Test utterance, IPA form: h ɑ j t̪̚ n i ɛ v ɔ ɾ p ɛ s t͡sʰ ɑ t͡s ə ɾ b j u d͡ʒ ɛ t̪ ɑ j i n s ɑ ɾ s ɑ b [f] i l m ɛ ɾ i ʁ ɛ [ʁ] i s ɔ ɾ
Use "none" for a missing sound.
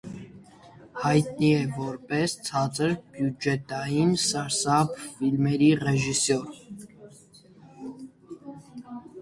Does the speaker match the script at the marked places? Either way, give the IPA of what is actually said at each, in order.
f, ʒ

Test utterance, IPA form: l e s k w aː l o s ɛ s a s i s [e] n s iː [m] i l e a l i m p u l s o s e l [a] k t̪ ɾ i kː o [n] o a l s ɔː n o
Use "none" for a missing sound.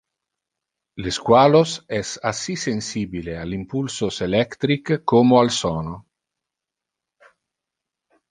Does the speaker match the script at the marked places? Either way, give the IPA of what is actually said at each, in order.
e, b, ɛ, m

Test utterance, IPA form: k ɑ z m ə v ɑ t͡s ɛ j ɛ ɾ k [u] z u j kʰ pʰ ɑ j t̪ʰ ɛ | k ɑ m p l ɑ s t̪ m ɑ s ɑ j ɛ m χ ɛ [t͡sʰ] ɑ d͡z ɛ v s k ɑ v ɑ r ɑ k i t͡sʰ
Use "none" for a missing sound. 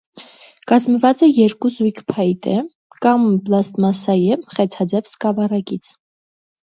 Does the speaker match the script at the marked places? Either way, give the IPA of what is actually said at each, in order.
u, t͡sʰ

